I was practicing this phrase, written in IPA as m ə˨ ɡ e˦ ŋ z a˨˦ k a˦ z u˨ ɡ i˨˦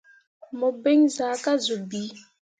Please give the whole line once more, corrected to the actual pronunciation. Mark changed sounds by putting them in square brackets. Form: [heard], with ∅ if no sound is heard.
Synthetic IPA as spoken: m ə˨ [b] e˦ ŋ z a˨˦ k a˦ z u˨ [b] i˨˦